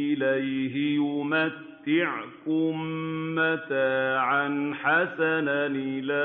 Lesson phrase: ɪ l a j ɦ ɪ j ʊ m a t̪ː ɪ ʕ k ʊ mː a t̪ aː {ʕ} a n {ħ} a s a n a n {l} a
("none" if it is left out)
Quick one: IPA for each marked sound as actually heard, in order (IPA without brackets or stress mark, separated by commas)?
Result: ʕ, ħ, l